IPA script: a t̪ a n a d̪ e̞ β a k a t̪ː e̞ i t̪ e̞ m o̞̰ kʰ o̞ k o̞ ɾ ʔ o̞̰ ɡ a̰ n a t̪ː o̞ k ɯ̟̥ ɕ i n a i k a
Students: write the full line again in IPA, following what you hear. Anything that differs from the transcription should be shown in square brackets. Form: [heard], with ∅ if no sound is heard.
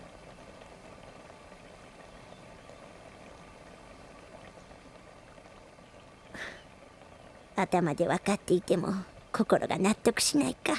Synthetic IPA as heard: a t̪ a [m] a d̪ e̞ β a k a t̪ː e̞ i t̪ e̞ m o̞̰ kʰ o̞ k o̞ ɾ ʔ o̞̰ ɡ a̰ n a t̪ː o̞ k ɯ̟̥ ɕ i n a i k a